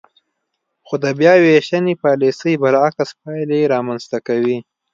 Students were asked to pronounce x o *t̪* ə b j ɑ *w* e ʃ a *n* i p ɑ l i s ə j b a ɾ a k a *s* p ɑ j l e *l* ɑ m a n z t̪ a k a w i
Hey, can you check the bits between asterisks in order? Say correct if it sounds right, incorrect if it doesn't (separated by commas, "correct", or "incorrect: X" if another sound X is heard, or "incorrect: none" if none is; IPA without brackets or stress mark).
incorrect: d̪, correct, correct, correct, incorrect: ɾ